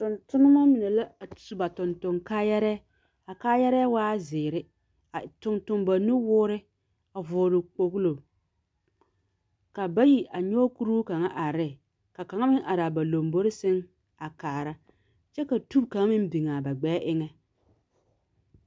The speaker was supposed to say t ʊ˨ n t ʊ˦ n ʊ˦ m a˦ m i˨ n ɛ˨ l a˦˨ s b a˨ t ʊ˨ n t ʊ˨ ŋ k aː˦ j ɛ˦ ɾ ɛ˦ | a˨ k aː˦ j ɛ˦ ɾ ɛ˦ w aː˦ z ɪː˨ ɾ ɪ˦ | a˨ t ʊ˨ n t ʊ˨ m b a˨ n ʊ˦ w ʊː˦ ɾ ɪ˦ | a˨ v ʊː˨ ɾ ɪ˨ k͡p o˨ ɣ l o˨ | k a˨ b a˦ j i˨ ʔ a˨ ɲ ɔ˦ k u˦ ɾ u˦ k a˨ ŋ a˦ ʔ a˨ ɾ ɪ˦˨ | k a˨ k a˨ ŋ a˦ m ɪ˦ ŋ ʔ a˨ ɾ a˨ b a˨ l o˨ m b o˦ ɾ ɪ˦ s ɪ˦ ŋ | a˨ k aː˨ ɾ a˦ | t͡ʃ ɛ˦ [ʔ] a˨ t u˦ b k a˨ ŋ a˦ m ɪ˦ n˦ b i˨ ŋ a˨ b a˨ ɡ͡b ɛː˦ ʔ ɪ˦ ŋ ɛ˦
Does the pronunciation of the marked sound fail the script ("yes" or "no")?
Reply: yes